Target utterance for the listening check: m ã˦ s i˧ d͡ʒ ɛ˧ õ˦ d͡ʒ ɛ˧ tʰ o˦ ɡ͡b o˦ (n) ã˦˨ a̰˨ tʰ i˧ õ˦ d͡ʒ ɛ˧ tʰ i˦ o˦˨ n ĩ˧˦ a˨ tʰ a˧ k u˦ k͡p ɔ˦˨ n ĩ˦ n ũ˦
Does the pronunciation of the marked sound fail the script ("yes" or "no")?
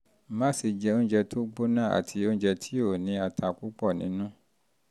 no